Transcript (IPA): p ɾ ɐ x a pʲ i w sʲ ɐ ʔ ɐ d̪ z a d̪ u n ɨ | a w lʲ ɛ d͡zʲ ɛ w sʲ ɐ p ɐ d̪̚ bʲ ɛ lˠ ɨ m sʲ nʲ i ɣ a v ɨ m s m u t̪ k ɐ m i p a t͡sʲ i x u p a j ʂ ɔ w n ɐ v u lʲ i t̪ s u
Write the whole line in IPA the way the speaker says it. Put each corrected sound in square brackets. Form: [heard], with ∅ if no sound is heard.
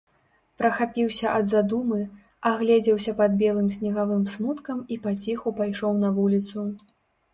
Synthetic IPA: p ɾ ɐ x a pʲ i w sʲ ɐ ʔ ɐ d̪ z a d̪ u [m] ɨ | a [ɣ] lʲ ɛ d͡zʲ ɛ w sʲ ɐ p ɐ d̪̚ bʲ ɛ lˠ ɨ m sʲ nʲ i ɣ a v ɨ m s m u t̪ k ɐ m i p a t͡sʲ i x u p a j ʂ ɔ w n ɐ v u lʲ i t̪ s u